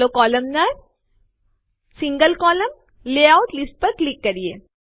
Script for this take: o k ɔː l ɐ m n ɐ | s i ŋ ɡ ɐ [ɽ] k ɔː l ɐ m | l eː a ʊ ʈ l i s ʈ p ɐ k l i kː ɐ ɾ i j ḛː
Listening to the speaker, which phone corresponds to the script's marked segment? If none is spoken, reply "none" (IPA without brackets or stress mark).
l